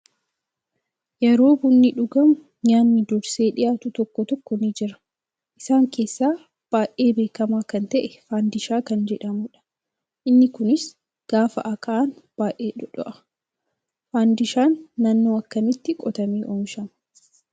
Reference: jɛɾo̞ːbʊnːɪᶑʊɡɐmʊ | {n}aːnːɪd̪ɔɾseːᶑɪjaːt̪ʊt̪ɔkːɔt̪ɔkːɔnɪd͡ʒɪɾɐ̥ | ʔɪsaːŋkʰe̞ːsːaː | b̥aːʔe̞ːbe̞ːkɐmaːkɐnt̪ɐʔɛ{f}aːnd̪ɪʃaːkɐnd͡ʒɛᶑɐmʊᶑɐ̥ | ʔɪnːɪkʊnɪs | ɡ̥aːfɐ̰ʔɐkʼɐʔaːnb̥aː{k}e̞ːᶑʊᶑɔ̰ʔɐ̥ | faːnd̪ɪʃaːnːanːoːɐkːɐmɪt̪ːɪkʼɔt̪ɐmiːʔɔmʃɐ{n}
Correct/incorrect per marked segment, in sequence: incorrect: ɲ, correct, incorrect: ʔ, incorrect: m

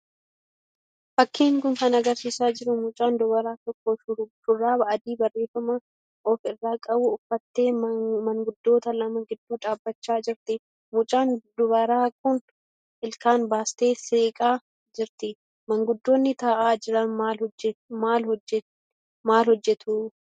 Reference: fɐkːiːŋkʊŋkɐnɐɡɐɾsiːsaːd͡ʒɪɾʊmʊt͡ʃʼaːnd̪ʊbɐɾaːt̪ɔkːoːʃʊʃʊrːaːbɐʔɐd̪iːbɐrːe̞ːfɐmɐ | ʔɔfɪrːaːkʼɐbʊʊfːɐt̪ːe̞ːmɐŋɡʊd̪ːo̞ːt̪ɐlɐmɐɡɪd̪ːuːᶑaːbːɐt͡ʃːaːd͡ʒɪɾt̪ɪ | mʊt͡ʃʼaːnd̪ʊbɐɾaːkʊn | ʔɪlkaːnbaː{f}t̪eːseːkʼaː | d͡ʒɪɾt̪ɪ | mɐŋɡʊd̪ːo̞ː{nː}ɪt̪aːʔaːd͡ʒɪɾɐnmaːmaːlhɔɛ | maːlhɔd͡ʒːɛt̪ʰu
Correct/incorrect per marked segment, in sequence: incorrect: s, correct

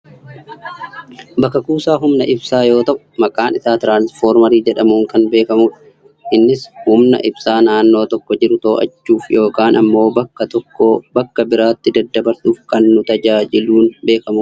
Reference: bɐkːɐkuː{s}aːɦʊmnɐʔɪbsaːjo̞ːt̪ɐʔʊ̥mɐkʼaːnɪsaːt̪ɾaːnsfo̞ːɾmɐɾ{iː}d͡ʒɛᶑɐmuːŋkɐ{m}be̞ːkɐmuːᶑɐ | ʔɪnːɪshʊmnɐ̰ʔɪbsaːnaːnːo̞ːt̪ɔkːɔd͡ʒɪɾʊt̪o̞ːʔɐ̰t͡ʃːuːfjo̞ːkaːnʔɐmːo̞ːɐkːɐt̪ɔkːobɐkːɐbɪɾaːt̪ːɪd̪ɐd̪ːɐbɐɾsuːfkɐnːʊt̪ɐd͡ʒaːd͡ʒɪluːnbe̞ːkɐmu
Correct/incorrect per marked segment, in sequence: correct, correct, incorrect: n

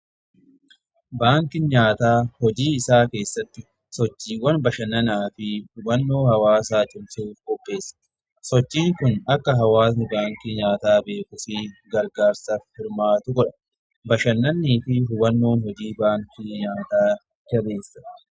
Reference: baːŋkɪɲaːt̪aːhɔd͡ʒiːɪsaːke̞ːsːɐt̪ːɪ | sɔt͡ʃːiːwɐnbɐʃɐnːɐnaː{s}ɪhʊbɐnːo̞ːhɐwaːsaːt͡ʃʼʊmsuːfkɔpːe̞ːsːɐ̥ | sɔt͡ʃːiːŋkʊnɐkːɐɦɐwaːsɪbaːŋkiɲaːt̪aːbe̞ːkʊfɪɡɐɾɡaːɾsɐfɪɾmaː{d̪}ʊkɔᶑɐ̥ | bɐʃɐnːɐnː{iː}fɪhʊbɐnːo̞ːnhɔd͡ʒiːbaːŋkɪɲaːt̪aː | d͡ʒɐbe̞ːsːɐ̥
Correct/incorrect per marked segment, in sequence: incorrect: f, incorrect: t̪, correct

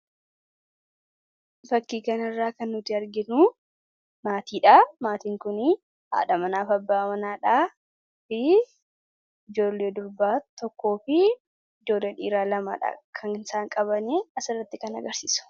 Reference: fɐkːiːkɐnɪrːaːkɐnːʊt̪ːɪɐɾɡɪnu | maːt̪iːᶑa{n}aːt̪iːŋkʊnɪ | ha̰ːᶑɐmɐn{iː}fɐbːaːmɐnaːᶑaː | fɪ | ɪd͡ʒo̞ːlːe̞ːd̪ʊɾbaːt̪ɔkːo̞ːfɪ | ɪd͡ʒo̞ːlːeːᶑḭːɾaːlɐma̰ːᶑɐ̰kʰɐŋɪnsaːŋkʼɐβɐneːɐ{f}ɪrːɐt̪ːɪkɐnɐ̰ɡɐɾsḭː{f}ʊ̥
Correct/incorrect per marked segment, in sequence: incorrect: m, incorrect: aː, incorrect: s, incorrect: s

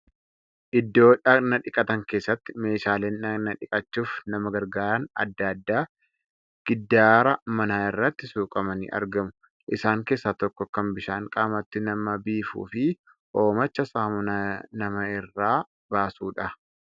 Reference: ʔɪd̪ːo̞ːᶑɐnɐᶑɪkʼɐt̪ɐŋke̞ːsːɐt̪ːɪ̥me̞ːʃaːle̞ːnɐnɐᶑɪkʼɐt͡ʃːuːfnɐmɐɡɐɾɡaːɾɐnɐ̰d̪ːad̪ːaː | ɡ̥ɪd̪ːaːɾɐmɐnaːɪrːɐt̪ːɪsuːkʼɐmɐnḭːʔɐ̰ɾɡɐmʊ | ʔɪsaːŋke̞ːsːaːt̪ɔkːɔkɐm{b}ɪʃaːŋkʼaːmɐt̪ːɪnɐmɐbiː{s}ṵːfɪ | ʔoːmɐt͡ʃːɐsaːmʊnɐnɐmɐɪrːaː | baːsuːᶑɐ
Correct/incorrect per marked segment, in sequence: correct, incorrect: f

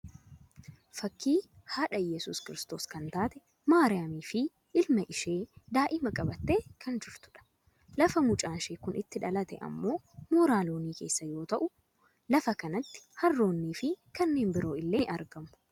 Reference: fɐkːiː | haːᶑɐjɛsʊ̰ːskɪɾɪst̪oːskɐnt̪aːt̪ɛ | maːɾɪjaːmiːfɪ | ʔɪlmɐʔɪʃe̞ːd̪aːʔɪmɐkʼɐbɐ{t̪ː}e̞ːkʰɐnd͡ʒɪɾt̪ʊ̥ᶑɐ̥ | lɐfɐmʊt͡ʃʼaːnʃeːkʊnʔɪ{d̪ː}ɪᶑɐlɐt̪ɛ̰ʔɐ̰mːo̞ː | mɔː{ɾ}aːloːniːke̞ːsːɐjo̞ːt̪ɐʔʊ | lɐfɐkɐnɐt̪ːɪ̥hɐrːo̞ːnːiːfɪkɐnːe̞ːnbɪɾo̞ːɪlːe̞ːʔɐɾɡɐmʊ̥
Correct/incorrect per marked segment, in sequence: correct, incorrect: t̪ː, correct

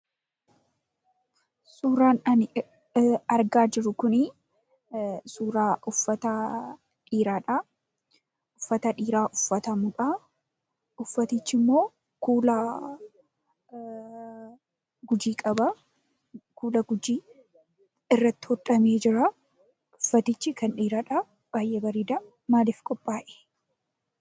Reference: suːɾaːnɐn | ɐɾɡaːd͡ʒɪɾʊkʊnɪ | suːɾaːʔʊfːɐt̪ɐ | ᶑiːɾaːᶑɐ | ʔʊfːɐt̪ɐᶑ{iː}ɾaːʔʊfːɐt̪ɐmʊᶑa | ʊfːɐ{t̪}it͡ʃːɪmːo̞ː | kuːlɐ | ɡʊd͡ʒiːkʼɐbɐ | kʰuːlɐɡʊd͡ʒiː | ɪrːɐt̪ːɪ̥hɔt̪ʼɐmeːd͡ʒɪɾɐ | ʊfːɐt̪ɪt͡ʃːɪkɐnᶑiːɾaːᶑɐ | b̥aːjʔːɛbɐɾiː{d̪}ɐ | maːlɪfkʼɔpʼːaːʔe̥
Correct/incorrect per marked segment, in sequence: correct, correct, correct

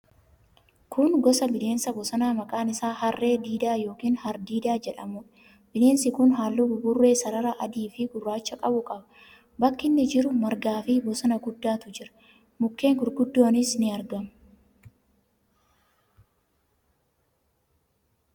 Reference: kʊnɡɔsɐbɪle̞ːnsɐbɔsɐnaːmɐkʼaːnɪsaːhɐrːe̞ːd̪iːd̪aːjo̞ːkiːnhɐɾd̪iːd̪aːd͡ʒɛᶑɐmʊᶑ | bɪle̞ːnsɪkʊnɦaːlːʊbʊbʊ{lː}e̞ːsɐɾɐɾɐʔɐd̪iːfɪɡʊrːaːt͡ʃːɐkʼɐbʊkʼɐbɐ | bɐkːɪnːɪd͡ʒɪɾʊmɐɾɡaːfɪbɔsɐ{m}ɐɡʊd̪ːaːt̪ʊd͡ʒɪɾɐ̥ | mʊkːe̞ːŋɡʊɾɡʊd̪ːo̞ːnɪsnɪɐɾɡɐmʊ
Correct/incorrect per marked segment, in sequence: incorrect: rː, incorrect: n

